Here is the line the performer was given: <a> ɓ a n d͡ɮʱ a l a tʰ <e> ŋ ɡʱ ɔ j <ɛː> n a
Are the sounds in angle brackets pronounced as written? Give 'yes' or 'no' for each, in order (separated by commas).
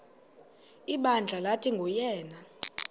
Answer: no, no, yes